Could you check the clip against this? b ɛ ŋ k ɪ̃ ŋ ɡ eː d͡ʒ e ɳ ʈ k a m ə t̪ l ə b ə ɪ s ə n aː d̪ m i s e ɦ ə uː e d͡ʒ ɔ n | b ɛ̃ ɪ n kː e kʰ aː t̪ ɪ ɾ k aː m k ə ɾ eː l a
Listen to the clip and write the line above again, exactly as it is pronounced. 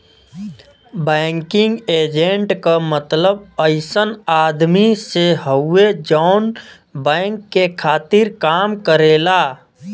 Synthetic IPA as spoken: b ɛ ŋ k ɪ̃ ŋ ɡ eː d͡ʒ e ɳ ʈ k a m ə t̪ l ə b ə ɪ s ə n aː d̪ m i s e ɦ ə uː e d͡ʒ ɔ n | b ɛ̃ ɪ ŋ kː e kʰ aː t̪ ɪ ɾ k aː m k ə ɾ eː l a